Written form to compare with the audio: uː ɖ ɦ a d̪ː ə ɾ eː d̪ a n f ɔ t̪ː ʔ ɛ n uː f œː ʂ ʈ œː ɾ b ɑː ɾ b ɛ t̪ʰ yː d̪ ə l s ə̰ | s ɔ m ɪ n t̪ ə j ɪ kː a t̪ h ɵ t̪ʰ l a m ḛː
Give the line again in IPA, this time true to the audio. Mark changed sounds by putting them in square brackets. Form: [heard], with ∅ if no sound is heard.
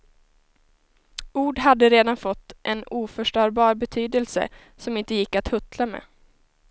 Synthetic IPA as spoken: uː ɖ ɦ a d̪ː ə ɾ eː d̪ a n f ɔ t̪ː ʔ ɛ n uː f [œ] ʂ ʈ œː ɾ b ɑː ɾ b ɛ t̪ʰ yː d̪ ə l s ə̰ | s ɔ m ɪ n t̪ ə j ɪ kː a t̪ h ɵ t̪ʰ l a m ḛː